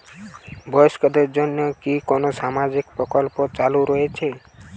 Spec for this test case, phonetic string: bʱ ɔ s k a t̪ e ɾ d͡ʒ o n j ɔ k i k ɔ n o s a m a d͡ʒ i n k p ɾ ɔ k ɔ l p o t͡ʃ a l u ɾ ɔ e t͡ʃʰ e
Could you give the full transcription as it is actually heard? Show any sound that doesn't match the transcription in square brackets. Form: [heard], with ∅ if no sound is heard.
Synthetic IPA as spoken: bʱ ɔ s k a [d̪] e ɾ d͡ʒ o n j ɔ k i k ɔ n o s a m a d͡ʒ i [∅] k p ɾ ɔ k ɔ l p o t͡ʃ a l u ɾ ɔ e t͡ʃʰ e